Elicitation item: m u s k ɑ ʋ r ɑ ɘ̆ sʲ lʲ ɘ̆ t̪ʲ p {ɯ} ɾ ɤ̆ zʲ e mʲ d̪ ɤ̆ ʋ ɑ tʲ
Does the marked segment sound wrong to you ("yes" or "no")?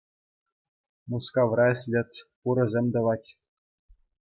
yes